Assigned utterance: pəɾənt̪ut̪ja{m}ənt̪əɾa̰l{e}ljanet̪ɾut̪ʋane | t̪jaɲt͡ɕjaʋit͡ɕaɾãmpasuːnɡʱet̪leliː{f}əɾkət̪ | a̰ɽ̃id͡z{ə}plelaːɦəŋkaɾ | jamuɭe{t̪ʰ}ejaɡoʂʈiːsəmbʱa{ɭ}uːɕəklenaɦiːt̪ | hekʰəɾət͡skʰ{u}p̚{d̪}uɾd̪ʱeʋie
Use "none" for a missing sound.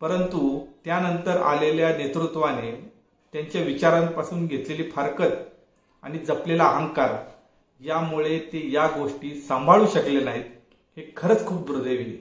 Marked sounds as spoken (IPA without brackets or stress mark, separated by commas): n, e, f, ə, t̪, ɭ, uː, d̪